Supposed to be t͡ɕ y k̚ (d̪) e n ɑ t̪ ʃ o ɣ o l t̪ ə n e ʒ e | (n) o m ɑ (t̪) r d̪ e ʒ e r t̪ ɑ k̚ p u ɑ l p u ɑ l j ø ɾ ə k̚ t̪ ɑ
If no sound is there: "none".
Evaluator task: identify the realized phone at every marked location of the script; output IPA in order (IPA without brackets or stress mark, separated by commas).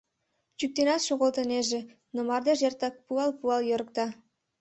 t̪, n, none